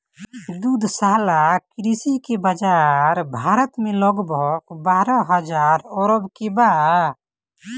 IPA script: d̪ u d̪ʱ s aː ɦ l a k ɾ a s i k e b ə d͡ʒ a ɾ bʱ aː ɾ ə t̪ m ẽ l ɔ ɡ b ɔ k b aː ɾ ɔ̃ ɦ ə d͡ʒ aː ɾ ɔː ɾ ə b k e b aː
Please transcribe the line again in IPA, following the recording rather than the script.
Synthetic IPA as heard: d̪ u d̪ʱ s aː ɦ l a k ɾ i s i k e b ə d͡ʒ a ɾ bʱ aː ɾ ə t̪ m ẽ l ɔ ɡ b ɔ k b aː ɾ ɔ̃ ɦ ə d͡ʒ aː ɾ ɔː ɾ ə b k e b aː